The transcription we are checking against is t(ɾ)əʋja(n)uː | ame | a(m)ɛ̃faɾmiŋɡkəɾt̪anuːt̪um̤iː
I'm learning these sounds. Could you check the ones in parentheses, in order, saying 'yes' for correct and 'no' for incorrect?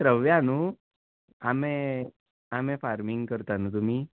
yes, yes, yes

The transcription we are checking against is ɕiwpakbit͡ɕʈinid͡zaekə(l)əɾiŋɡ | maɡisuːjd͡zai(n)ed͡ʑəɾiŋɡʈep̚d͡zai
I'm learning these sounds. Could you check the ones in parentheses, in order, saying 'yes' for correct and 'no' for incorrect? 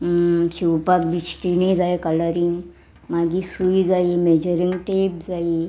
yes, no

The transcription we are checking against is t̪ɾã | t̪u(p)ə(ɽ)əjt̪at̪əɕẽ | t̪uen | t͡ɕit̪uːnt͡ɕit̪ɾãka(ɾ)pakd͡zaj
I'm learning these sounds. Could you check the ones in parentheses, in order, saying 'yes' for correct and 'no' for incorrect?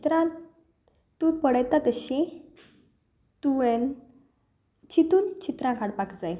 yes, yes, no

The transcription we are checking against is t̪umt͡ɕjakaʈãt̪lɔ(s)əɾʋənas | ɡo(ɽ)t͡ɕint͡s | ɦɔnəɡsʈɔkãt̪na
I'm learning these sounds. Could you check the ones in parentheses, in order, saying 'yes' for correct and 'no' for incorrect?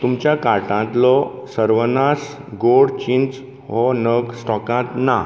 yes, yes

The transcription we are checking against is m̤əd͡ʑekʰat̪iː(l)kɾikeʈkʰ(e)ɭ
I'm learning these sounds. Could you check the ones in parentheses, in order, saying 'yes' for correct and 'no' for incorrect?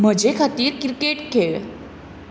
no, yes

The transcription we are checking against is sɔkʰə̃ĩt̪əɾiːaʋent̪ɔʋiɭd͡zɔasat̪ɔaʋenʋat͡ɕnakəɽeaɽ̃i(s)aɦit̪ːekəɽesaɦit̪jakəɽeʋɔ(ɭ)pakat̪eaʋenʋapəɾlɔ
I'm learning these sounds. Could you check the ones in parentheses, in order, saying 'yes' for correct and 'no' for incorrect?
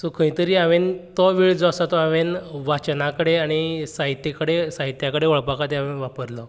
yes, yes

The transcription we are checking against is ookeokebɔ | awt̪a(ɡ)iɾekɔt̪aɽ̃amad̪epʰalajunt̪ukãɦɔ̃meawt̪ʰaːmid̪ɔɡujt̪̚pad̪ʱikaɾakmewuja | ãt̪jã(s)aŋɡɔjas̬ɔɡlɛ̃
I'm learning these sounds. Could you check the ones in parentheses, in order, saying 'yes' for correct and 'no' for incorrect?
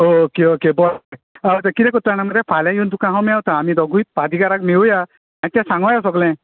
no, yes

